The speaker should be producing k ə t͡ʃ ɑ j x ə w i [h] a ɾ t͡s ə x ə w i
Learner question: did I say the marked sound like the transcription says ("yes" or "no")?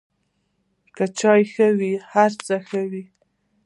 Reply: yes